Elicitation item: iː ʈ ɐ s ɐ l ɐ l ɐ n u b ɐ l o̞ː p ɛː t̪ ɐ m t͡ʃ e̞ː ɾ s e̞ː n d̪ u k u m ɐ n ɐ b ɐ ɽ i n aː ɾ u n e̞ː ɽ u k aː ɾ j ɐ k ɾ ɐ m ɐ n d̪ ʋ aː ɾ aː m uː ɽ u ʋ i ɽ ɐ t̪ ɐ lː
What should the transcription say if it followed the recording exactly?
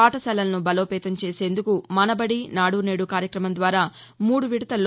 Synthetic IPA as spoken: aː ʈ ɐ s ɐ l ɐ l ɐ n u b ɐ l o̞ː p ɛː t̪ ɐ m t͡ʃ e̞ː s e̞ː n d̪ u k u m ɐ n ɐ b ɐ ɽ i n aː ɽ u n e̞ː ɽ u k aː ɾ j ɐ k ɾ ɐ m ɐ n d̪ ʋ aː ɾ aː m uː ɽ u ʋ i ɽ ɐ t̪ ɐ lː

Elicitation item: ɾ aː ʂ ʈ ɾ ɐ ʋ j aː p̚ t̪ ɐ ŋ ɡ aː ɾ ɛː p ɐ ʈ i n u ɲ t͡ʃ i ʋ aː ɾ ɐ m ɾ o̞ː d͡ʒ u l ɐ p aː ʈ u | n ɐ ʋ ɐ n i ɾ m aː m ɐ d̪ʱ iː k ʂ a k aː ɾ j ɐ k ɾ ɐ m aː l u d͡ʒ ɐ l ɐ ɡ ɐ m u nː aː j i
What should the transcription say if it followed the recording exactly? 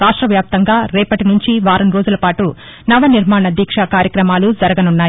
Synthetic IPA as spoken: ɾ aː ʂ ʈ ɾ ɐ ʋ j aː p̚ t̪ ɐ ŋ ɡ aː ɾ ɛː p ɐ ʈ i n u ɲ t͡ʃ i ʋ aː ɾ ɐ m ɾ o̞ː d͡ʒ u l ɐ p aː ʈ u | n ɐ ʋ ɐ n i ɾ m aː ɳ ɐ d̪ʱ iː k ʂ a k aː ɾ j ɐ k ɾ ɐ m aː l u d͡ʒ ɐ ɾ ɐ ɡ ɐ n u nː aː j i

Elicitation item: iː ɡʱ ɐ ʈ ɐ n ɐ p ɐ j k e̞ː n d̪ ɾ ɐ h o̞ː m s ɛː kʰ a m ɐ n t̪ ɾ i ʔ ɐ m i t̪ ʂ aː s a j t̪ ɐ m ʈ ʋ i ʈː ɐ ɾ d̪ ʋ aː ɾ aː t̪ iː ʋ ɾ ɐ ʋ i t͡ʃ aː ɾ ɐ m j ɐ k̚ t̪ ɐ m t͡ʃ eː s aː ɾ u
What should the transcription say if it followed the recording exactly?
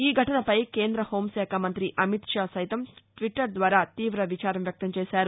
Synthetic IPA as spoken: iː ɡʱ ɐ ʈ ɐ n ɐ p ɐ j k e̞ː n d̪ ɾ ɐ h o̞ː m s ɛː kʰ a m ɐ n t̪ ɾ i ʔ ɐ m i t̪ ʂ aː s ɐ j t̪ ɐ m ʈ ʋ i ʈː ɐ ɾ d̪ ʋ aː ɾ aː t̪ iː ʋ ɾ ɐ ʋ i t͡ʃ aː ɾ ɐ m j ɐ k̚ t̪ ɐ m t͡ʃ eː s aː ɾ u

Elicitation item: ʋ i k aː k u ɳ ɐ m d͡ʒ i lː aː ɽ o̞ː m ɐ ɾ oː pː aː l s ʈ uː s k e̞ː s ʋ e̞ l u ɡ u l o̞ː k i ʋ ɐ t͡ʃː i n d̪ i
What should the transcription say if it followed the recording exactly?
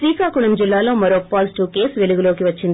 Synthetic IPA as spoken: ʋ iː k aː k u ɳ ɐ m d͡ʒ i lː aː l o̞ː m ɐ ɾ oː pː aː l s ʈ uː k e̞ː s ʋ e̞ l u ɡ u l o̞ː k i ʋ ɐ t͡ʃː i n d̪ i

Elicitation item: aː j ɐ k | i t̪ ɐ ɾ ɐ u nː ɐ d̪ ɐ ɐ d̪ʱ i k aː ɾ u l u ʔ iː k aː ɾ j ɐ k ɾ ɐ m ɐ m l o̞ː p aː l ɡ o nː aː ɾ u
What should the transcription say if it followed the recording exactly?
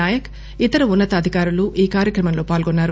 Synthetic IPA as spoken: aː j ɐ k | i t̪ ɐ ɾ ɐ u nː ɐ t̪ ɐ ɐ d̪ʱ i k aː ɾ u l u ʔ iː k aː ɾ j ɐ k ɾ ɐ m ɐ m l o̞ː p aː l ɡ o nː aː ɾ u

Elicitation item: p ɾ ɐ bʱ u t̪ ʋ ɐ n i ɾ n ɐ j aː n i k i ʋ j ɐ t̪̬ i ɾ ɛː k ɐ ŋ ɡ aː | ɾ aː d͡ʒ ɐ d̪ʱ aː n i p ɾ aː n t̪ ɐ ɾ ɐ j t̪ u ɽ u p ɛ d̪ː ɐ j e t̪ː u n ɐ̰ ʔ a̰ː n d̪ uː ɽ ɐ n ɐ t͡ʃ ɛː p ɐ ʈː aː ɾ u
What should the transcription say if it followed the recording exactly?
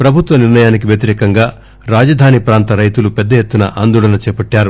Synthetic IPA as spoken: p ɾ ɐ bʱ u t̪ ʋ ɐ n i ɾ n ɐ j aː n i k i ʋ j ɐ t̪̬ i ɾ ɛː k ɐ ŋ ɡ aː | ɾ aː d͡ʒ ɐ d̪ʱ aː n i p ɾ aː n t̪ ɐ ɾ ɐ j t̪ u l u p ɛ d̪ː ɐ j e t̪ː u n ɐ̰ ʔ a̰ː n d̪ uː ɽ ɐ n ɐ t͡ʃ ɛː p ɐ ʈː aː ɾ u

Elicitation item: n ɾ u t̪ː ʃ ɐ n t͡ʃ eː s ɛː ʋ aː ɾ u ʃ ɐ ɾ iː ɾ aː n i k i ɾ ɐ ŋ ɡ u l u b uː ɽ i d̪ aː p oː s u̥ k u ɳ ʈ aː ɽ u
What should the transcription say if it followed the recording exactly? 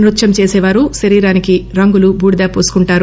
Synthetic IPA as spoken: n ɾ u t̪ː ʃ ɐ m t͡ʃ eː s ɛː ʋ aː ɾ u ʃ ɐ ɾ iː ɾ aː n i k i ɾ ɐ ŋ ɡ u l u b uː ɽ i d̪ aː p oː s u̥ k u ɳ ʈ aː ɾ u

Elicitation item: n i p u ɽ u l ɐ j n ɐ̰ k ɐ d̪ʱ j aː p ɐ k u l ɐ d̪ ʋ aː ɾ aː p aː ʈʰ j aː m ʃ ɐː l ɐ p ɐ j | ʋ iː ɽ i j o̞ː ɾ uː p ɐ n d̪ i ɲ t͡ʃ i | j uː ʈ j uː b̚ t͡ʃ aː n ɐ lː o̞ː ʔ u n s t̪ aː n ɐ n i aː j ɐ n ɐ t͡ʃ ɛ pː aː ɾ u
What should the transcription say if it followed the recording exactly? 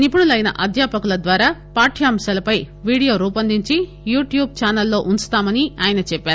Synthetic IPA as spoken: n i p u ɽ u l ɐ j n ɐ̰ ʔ ɐ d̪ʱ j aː p ɐ k u l ɐ d̪ ʋ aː ɾ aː p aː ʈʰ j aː m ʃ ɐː l ɐ p ɐ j | ʋ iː ɽ i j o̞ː ɾ uː p ɐ n d̪ i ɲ t͡ʃ i | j uː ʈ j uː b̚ t͡ʃ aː n ɐ lː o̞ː ʔ u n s t̪ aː m ɐ n i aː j ɐ n ɐ t͡ʃ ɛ pː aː ɾ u

